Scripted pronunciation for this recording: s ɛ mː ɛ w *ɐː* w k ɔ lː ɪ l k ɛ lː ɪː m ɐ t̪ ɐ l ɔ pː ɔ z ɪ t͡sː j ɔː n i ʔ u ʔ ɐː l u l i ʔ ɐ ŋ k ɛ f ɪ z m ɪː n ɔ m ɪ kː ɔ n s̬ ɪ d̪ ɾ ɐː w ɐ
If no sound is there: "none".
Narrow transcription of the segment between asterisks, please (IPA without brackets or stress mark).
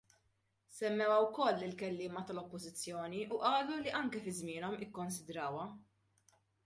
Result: ɐ